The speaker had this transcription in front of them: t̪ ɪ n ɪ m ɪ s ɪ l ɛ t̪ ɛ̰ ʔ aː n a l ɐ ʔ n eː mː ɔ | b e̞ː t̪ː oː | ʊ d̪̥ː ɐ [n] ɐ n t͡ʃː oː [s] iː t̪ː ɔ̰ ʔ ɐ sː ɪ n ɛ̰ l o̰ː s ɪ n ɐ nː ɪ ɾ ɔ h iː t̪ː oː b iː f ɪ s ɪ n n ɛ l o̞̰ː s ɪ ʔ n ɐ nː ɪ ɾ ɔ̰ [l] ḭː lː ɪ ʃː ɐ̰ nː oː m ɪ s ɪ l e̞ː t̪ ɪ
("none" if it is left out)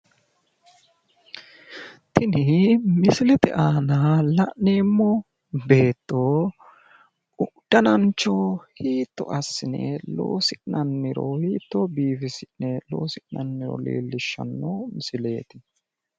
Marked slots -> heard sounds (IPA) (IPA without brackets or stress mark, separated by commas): n, h, l